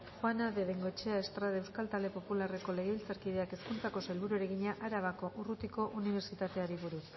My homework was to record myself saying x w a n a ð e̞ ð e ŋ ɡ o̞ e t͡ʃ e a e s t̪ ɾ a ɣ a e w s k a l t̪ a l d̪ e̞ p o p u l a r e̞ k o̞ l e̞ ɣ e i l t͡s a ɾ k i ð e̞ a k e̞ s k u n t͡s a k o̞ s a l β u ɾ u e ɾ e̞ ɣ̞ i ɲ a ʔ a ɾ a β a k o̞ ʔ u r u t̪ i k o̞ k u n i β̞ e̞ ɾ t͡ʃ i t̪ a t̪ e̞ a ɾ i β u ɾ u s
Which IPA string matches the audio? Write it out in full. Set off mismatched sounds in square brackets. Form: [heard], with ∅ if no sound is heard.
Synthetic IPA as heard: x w a n a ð e̞ ð e ŋ ɡ o̞ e t͡ʃ e a e s t̪ ɾ a [ð] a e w s k a l t̪ a l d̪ e̞ p o p u l a r e̞ k o̞ l e̞ ɣ e i l t͡s a ɾ k i ð e̞ a k e̞ s k u n t͡s a k o̞ s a l β u ɾ u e ɾ e̞ ɣ̞ i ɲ a ʔ a ɾ a β a k o̞ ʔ u r u t̪ i k o̞ [ʔ] u n i β̞ e̞ ɾ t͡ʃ i t̪ a t̪ e̞ a ɾ i β u ɾ u s